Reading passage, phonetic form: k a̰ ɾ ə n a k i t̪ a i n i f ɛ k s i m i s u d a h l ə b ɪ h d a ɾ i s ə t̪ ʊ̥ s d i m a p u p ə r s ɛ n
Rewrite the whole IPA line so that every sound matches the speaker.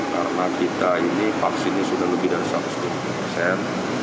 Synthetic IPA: k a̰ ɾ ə n a k i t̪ a i n i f a k s i n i s u d a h l ə b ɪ h d a ɾ i s a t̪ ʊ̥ s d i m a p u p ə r s ɛ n